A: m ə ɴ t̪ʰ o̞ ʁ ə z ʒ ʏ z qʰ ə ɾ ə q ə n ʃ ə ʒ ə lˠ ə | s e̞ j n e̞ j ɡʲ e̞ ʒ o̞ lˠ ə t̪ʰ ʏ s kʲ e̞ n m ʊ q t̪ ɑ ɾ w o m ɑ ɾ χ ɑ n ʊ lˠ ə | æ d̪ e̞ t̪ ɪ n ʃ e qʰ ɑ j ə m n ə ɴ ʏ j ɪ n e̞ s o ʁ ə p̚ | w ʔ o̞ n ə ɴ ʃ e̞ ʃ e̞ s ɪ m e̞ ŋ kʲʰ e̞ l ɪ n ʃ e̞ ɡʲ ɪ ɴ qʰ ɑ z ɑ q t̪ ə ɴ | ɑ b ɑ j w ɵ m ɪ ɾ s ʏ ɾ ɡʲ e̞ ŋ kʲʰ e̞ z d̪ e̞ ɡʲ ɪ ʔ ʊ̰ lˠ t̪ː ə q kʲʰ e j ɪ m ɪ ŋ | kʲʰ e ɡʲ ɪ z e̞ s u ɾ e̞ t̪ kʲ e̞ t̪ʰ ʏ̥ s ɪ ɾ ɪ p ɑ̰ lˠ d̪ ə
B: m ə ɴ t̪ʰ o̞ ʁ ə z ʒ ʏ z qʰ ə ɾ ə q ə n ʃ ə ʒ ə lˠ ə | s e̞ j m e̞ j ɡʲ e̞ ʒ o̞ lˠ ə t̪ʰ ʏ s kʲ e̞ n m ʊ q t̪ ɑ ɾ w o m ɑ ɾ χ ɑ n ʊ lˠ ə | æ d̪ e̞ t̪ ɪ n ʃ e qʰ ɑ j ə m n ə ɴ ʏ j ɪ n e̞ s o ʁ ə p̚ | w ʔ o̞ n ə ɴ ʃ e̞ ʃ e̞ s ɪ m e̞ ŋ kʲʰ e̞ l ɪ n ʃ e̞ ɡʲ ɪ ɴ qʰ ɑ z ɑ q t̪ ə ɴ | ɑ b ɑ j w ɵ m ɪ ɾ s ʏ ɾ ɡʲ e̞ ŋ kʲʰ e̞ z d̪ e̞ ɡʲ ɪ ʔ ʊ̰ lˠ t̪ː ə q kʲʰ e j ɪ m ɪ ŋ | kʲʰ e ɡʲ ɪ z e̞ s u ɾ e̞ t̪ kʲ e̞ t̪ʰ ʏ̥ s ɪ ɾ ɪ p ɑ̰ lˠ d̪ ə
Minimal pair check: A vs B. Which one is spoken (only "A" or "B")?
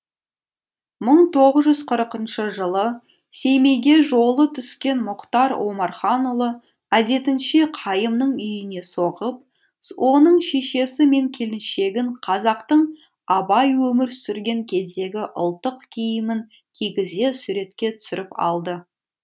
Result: B